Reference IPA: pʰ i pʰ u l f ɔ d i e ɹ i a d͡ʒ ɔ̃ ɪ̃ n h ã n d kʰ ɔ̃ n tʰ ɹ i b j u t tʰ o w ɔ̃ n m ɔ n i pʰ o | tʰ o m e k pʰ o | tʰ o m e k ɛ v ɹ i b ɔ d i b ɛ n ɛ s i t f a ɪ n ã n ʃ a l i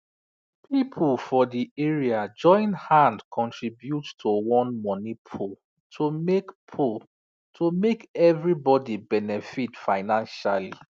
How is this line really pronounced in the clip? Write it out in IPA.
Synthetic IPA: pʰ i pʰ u l f ɔ d i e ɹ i a d͡ʒ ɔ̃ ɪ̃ n h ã n d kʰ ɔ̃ n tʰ ɹ i b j u t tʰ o w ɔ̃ n m ɔ n i pʰ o | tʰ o m e k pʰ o | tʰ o m e k ɛ v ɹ i b ɔ d i b ɛ n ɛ f i t f a ɪ n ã n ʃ a l i

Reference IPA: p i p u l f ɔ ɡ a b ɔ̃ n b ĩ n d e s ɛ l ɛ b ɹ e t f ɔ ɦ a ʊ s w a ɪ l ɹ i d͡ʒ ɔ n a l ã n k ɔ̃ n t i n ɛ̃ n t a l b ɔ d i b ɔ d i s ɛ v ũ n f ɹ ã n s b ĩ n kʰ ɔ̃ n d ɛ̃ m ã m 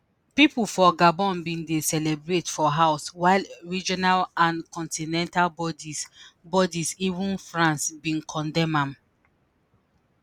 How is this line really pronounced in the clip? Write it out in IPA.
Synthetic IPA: p i p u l f ɔ ɡ a b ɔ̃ n b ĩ n d e s ɛ l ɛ b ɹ e t f ɔ ɦ a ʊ s w a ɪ l ɹ i d͡ʒ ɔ n a l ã n k ɔ̃ n t i n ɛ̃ n t a l b ɔ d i b ɔ d i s i v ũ n f ɹ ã n s b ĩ n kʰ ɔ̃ n d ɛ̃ m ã m

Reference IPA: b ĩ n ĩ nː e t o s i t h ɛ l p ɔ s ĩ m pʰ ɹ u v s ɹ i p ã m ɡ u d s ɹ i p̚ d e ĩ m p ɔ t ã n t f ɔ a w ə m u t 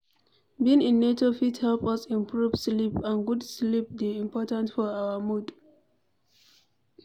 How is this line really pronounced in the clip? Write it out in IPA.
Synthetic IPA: b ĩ n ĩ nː e t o f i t h ɛ l p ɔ s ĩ m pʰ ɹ u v s l i p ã n ɡ u d s l i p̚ d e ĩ m p ɔ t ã n t f ɔ a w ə m u d

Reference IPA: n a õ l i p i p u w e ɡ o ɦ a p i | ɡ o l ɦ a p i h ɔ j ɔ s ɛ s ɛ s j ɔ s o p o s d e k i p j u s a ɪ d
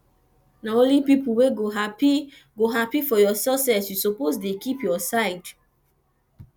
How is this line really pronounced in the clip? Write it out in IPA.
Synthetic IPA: n a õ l i p i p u w e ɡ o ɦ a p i | ɡ o ɦ a p i f ɔ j ɔ s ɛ s ɛ s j u s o p o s d e k i p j ɔ s a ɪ d

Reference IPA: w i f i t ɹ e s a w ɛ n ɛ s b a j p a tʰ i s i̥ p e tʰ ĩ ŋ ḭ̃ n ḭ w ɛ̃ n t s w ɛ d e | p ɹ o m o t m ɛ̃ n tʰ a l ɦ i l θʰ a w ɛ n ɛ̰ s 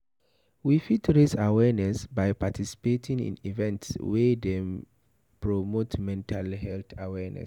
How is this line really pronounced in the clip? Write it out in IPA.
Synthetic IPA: w i f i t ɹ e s a w ɛ n ɛ s b a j p a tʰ i s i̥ p e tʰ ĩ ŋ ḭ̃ n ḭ v ɛ̃ n t s w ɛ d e | p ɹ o m o t m ɛ̃ n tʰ a l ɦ ɛ l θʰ a w ɛ n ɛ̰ s

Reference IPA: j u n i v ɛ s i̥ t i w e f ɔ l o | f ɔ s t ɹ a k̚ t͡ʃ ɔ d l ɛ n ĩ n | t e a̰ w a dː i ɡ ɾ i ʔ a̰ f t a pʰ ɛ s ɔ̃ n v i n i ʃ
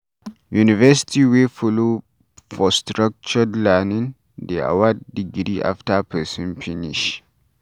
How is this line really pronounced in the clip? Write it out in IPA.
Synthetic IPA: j u n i v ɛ s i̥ t i w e f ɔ l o | f ɔ s t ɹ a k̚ t͡ʃ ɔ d l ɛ n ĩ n | d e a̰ w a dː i ɡ ɾ i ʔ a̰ f t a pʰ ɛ s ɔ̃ n f i n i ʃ

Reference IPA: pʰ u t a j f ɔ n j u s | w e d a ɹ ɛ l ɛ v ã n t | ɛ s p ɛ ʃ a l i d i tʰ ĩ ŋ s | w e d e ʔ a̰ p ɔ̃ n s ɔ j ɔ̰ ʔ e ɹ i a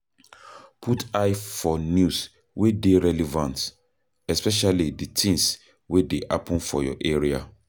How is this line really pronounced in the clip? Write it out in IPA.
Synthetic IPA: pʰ u t a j f ɔ n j u s | w e d e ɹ ɛ l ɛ v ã n t | ɛ s p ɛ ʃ a l i d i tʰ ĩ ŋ s | w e d e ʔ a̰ p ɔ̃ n f ɔ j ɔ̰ ʔ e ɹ i a

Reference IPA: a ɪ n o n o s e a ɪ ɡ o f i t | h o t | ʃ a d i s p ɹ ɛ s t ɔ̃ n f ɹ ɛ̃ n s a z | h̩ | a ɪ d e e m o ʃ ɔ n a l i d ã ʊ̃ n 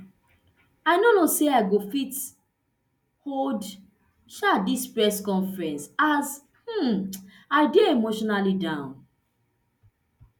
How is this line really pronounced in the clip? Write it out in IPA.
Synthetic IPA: a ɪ n o n o s e a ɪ ɡ o f i t | h o d | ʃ a d i s p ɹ ɛ s k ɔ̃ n f ɹ ɛ̃ n s a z | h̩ | a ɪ d e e m o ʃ ɔ n a l i d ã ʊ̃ n

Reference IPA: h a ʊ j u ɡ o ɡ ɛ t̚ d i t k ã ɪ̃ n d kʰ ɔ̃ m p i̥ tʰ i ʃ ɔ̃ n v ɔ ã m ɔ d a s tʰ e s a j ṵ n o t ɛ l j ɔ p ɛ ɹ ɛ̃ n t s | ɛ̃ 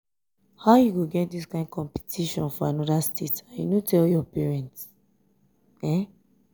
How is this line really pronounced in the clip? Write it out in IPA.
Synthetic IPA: h a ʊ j u ɡ o ɡ ɛ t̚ d i s k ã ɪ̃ n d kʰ ɔ̃ m p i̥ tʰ i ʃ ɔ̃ n f ɔ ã n ɔ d a s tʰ e t a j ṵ n o t ɛ l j ɔ p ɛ ɹ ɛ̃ n t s | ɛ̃

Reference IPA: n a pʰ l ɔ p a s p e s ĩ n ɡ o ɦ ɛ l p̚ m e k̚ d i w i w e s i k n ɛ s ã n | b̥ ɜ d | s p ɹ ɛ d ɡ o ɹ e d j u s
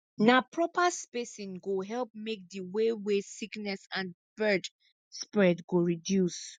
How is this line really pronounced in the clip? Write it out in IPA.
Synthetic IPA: n a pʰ ɹ ɔ p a s p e s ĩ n ɡ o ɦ ɛ l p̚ m e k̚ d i w e w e s i k n ɛ s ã n | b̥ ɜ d | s p ɹ ɛ d ɡ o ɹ i d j u s

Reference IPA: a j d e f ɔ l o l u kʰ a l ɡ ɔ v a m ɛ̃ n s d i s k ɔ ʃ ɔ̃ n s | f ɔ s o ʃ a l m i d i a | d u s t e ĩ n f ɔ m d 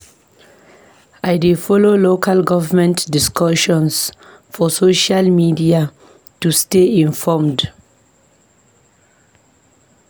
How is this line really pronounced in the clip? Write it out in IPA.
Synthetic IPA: a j d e f ɔ l o l o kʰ a l ɡ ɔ v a m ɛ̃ n t d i s k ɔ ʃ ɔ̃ n s | f ɔ s o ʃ a l m i d i a | t u s t e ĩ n f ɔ m d

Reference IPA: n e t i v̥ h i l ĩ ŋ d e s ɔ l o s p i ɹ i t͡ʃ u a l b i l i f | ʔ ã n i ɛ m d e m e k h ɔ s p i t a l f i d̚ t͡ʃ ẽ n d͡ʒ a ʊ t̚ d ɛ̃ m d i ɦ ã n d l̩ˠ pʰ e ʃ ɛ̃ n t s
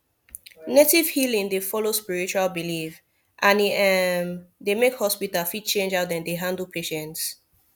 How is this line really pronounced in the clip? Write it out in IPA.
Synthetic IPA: n e t i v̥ h i l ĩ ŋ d e f ɔ l o s p i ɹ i t͡ʃ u a l b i l i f | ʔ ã n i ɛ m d e m e k h ɔ s p i t a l f i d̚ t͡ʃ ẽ n d͡ʒ a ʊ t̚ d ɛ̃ n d e ɦ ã n d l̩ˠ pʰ e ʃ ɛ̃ n t s

